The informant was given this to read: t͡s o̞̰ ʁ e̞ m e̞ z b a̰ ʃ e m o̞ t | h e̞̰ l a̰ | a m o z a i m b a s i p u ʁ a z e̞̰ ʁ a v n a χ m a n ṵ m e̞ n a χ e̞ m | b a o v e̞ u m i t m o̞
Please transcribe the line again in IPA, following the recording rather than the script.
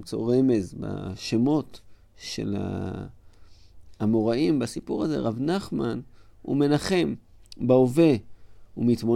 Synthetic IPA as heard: t͡s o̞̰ ʁ e̞ m e̞ z b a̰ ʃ e m o̞ t | ʃ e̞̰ l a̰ | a m o ʁ a i m b a s i p u ʁ a z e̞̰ ʁ a v n a χ m a n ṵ m e̞ n a χ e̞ m | b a o v e̞ u m i t m o̞